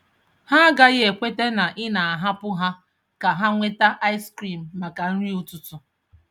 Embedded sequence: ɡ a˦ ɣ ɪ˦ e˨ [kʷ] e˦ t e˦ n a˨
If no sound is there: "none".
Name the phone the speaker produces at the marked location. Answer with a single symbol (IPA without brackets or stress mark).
kʷ